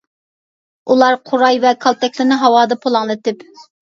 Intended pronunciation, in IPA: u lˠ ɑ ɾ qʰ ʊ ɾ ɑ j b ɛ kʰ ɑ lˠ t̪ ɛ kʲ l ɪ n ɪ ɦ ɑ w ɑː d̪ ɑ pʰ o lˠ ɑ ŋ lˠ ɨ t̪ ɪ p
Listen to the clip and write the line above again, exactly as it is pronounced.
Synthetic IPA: u lˠ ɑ ɾ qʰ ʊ ɾ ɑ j v ɛ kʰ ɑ lˠ t̪ ɛ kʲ l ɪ n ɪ ɦ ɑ w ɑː d̪ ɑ pʰ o lˠ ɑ ŋ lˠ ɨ t̪ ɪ p